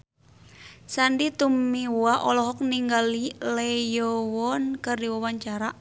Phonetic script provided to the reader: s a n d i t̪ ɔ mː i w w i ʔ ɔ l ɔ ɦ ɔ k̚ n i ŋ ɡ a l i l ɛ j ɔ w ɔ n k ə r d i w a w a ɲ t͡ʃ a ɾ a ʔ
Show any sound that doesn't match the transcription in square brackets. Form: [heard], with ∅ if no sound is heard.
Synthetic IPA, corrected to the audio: s a n d i t̪ [u] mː i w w [a] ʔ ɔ l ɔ ɦ ɔ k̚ n i ŋ ɡ a l i l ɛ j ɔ w ɔ n k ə r d i w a w a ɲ t͡ʃ a ɾ a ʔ